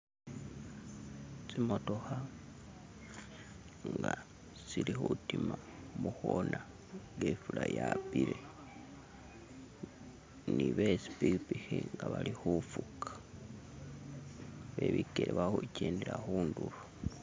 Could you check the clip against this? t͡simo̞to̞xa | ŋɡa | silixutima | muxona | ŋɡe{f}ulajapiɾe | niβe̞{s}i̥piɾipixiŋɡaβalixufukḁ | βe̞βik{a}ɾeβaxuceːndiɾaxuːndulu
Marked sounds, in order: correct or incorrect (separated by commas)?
correct, correct, incorrect